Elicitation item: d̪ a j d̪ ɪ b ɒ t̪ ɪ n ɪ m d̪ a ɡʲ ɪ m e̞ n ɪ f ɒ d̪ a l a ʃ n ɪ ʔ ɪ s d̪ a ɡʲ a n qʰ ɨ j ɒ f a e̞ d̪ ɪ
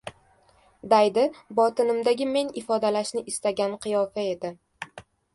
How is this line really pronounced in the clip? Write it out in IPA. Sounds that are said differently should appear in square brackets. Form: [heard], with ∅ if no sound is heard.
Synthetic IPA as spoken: d̪ a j d̪ ɪ b ɒ t̪ ɪ n ɪ m d̪ a ɡʲ ɪ m e̞ n ɪ f ɒ d̪ a l a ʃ n ɪ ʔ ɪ s [t̪] a ɡʲ a n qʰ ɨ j ɒ f a e̞ d̪ ɪ